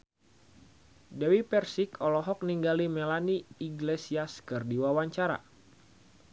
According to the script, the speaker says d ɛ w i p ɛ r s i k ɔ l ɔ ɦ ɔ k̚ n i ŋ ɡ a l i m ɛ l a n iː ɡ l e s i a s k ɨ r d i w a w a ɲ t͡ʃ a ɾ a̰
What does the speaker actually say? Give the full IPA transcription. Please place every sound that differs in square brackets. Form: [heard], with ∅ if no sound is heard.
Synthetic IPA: d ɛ w i p ɛ r s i k ɔ l ɔ ɦ ɔ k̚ n i ŋ ɡ a l i m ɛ l a n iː ɡ l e s i a s k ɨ r d i w a w a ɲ t͡ʃ a ɾ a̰

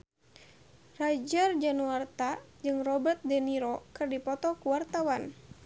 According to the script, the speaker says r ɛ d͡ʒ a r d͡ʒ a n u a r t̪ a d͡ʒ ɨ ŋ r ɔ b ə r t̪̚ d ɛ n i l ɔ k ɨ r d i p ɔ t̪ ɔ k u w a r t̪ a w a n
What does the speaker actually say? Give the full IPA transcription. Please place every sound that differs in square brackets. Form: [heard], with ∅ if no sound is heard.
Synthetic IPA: r [a] d͡ʒ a r d͡ʒ a n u a r t̪ a d͡ʒ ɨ ŋ r ɔ b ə r t̪̚ d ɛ n i [ɾ] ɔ k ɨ r d i p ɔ t̪ ɔ k u w a r t̪ a w a n

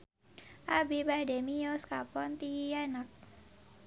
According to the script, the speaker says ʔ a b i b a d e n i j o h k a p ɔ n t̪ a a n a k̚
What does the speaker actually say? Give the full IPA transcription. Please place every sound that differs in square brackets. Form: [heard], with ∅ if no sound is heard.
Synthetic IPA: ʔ a b i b a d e [m] i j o [s] k a p ɔ n t̪ [i] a n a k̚

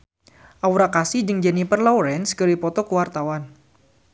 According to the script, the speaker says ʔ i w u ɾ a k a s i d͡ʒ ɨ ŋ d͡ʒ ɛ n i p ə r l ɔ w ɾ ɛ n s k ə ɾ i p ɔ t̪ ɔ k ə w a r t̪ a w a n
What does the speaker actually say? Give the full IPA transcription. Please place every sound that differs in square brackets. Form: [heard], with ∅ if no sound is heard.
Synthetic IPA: ʔ [a] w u ɾ a k a s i d͡ʒ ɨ ŋ d͡ʒ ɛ n i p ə r l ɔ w ɾ ɛ n s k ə ɾ i p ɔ t̪ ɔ k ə w a r t̪ a w a n

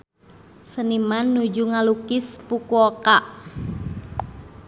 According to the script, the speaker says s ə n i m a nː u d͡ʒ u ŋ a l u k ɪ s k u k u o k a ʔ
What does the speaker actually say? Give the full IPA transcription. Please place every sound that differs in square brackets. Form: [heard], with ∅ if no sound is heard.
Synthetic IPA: s ə n i m a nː u d͡ʒ u ŋ a l u k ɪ s [p] u k u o k a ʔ

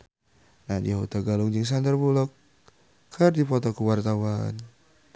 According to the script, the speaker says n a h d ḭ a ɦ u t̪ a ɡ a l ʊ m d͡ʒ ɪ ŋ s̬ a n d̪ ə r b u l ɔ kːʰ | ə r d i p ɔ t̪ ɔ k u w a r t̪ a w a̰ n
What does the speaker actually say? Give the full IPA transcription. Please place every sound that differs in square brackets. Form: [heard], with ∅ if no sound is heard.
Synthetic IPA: n a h d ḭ a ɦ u t̪ a ɡ a l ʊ [ŋ] d͡ʒ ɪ ŋ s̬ a n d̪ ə r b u l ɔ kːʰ | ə r d i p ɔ t̪ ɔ k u w a r t̪ a w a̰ n

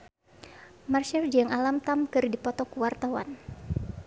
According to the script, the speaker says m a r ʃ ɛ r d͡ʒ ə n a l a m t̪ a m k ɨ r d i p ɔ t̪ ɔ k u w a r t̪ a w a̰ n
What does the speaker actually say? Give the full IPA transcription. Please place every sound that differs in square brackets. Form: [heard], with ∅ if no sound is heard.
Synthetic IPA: m a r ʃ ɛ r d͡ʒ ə [ŋ] a l a m t̪ a m k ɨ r d i p ɔ t̪ ɔ k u w a r t̪ a w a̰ n

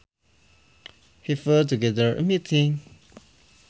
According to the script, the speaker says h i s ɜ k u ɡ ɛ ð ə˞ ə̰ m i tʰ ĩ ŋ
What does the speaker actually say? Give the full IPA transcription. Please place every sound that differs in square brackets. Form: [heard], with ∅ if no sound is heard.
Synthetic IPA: h i [f] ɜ [t] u ɡ ɛ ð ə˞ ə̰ m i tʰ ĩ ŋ

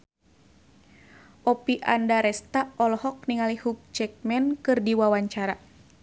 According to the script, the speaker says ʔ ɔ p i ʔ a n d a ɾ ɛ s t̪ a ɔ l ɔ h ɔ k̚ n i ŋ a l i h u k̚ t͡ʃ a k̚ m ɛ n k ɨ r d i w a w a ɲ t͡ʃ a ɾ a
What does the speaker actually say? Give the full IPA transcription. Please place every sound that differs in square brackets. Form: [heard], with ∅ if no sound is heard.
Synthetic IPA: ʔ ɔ p i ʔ a n d a ɾ ɛ s t̪ a ɔ l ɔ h ɔ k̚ n i ŋ a l i h u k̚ t͡ʃ [ɛ] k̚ m ɛ n k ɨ r d i w a w a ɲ t͡ʃ a ɾ a

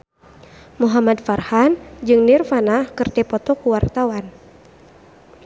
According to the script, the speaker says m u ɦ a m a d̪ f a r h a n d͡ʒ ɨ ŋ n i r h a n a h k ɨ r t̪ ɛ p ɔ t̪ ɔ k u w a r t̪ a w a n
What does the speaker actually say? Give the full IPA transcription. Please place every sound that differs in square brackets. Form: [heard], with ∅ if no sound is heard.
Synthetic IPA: m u ɦ a m a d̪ f a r h a n d͡ʒ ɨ ŋ n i r [f] a n a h k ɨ r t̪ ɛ p ɔ t̪ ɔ k u w a r t̪ a w a n

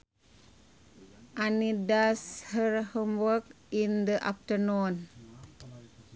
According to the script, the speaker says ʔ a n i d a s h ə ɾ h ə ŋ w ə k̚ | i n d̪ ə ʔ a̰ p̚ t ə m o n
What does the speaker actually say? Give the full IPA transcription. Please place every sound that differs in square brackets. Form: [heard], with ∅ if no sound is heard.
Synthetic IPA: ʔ a n i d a s h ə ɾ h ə [m] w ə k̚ | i n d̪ ə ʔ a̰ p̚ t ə [n] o n

